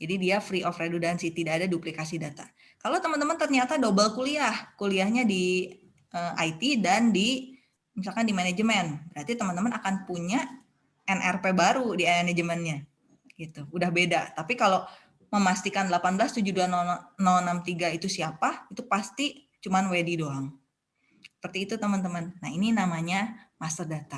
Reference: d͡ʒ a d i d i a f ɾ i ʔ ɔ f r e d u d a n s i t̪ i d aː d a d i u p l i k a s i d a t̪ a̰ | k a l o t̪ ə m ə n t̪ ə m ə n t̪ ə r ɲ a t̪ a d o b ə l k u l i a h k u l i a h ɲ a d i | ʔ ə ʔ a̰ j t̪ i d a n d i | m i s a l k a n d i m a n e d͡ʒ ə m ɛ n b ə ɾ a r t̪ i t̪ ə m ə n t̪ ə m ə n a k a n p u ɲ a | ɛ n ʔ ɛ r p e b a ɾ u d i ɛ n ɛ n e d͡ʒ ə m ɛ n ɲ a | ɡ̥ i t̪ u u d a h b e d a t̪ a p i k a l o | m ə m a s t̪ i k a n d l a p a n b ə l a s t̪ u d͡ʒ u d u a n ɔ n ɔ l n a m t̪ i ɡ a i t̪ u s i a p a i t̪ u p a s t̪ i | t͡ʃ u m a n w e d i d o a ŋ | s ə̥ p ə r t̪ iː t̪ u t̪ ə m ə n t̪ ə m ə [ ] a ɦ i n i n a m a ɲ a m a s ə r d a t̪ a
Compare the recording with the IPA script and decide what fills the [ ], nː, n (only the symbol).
nː